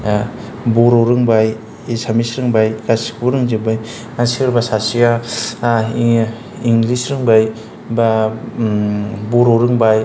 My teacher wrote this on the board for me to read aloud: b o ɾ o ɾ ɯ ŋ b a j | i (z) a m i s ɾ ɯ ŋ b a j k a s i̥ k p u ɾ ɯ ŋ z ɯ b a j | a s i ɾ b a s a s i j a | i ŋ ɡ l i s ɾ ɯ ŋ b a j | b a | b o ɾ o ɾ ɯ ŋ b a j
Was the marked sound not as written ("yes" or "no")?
yes